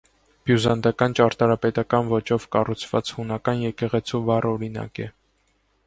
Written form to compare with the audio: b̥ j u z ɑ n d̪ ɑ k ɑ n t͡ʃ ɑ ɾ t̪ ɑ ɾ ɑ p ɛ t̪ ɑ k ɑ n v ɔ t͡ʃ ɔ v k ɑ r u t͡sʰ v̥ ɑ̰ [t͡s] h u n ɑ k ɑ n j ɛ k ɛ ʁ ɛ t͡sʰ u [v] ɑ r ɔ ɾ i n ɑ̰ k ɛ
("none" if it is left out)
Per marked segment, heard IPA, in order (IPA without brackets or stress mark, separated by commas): t͡s, v